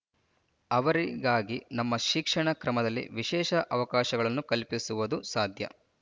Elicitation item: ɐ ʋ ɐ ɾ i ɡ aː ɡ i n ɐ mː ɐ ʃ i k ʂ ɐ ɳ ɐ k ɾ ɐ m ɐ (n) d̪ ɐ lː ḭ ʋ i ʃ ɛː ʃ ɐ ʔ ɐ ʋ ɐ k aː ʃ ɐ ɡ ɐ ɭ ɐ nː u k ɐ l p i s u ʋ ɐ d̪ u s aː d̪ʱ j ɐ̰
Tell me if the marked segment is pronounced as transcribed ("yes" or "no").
no